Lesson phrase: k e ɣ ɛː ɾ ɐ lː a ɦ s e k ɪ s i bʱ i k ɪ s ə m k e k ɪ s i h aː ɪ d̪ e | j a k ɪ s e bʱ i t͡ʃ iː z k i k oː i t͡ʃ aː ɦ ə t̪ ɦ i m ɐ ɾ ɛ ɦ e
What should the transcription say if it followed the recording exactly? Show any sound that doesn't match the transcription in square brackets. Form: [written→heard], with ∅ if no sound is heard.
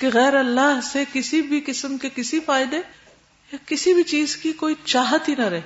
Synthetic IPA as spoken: k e ɣ ɛː ɾ ɐ lː a ɦ s e k ɪ s i bʱ i k ɪ s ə m k e k ɪ s i [h→f] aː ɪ d̪ e | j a k ɪ s [e→i] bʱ i t͡ʃ iː z k i k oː i t͡ʃ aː ɦ ə t̪ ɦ i [m→n] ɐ ɾ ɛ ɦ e